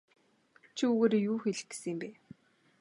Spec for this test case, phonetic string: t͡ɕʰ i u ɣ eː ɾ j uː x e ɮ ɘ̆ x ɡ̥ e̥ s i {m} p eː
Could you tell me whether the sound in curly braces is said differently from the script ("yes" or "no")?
no